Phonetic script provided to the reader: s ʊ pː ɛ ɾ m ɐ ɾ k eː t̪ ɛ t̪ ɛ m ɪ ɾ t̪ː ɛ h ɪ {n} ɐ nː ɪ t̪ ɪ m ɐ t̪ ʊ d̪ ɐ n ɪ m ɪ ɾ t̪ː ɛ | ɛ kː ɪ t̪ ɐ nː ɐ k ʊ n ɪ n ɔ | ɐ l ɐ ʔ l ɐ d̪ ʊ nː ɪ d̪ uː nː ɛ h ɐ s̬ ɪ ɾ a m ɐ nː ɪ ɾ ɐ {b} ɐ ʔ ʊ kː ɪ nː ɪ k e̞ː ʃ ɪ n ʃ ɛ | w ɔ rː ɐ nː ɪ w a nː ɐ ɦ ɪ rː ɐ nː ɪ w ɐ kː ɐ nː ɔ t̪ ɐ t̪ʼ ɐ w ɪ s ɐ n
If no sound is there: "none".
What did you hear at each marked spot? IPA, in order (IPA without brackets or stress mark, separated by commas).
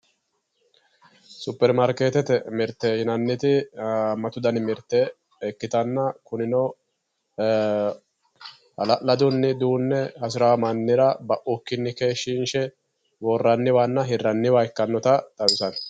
n, b